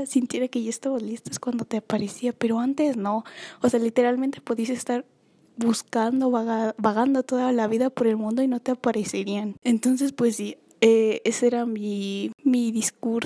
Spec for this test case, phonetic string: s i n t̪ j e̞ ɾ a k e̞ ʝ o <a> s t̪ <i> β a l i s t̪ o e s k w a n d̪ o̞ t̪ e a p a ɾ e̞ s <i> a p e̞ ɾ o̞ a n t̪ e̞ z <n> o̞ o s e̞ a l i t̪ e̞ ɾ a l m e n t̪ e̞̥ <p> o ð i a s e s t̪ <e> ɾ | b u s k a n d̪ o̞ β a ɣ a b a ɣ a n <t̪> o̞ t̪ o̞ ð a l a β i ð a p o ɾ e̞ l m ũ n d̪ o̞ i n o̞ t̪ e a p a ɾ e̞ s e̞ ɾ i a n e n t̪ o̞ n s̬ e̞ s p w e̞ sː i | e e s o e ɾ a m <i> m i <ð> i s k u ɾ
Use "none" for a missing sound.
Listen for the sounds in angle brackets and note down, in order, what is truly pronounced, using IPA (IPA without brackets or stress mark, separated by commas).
e, a, i, n, p, a, d̪, i, ð